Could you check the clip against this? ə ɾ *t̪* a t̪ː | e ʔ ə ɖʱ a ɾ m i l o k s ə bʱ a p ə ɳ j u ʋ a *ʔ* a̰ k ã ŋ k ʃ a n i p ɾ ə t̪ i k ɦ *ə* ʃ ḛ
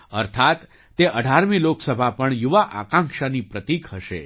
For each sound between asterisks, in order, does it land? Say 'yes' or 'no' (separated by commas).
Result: no, yes, yes